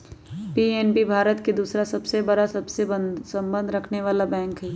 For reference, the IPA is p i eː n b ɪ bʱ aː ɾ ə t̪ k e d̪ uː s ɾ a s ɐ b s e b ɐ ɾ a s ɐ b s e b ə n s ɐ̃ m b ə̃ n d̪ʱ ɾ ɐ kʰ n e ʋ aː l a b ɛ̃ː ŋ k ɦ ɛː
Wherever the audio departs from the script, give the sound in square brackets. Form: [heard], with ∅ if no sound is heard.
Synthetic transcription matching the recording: p i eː n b [i] bʱ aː ɾ ə t̪ k e d̪ uː s ɾ a s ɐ b s e b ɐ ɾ a s ɐ b s e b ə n s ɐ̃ m b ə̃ n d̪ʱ ɾ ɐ kʰ n e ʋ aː l a b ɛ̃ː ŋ k ɦ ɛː